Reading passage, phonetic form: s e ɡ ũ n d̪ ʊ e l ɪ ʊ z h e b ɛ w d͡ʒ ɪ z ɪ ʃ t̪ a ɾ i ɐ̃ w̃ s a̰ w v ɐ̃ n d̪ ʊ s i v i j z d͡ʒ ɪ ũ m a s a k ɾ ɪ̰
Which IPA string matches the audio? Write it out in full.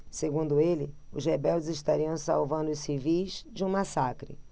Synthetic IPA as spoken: s e ɡ ũ n d̪ ʊ e l ɪ ʊ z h e b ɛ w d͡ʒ ɪ z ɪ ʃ t̪ a ɾ i ɐ̃ w̃ s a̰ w v ɐ̃ n d̪ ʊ s i v i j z d͡ʒ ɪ ũ m a s a k ɾ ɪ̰